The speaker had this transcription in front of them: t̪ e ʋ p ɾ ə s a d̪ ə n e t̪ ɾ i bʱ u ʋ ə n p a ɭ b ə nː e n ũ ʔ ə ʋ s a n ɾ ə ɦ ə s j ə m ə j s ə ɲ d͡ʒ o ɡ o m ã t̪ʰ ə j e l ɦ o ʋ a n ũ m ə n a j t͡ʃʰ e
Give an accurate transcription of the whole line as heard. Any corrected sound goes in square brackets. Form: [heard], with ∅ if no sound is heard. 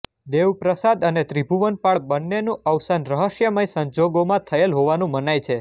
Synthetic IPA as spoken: [d̪] e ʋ p ɾ ə s a d̪ ə n e t̪ ɾ i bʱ u ʋ ə n p a ɭ b ə nː e n ũ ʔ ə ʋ s a n ɾ ə ɦ ə [ʃ] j ə m ə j s ə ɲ d͡ʒ o ɡ o m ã t̪ʰ ə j e l ɦ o ʋ a n ũ m ə n a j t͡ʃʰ e